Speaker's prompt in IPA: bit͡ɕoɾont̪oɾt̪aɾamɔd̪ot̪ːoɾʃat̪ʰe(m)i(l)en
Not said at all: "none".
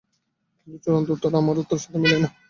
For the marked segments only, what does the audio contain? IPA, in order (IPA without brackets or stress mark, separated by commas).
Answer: m, l